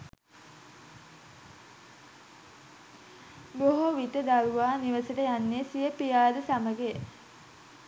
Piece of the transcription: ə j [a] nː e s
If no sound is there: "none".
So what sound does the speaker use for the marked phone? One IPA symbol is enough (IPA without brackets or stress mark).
a